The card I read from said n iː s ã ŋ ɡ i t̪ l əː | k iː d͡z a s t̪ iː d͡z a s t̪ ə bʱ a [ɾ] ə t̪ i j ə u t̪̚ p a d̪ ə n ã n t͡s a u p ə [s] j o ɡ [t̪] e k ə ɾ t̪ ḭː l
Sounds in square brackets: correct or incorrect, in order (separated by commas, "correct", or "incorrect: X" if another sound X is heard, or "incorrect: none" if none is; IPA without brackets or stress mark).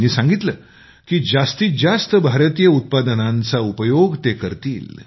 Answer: correct, incorrect: none, correct